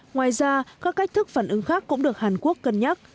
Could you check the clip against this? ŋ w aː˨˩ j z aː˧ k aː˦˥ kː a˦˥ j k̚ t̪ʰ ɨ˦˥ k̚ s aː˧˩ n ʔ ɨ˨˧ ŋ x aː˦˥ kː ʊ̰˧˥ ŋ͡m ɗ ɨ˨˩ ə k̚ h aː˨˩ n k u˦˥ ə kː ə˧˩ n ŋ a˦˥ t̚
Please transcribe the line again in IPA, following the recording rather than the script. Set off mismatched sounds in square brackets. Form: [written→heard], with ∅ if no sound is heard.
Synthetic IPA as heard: ŋ w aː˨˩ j z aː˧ k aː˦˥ kː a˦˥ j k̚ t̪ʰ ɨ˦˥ k̚ [s→f] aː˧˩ n ʔ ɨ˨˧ ŋ x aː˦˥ kː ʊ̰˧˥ ŋ͡m ɗ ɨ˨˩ ə k̚ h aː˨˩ n k u˦˥ ə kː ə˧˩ n [ŋ→ɲ] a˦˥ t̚